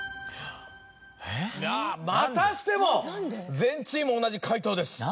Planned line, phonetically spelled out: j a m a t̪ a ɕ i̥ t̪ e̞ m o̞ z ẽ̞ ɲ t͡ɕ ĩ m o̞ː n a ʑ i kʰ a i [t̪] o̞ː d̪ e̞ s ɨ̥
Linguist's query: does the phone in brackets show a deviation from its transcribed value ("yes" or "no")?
no